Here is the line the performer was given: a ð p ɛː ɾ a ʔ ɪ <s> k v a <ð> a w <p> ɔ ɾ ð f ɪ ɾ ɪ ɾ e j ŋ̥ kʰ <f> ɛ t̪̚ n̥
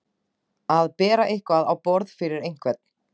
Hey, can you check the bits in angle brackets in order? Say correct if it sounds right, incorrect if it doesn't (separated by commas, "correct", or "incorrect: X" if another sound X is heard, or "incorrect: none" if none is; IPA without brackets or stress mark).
incorrect: h, correct, correct, incorrect: v